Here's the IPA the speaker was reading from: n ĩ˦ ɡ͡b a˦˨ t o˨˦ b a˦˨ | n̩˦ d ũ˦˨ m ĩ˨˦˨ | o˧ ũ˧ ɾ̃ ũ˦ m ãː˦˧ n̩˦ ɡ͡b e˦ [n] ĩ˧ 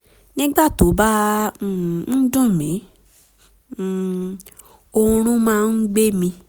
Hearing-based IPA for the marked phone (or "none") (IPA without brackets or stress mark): m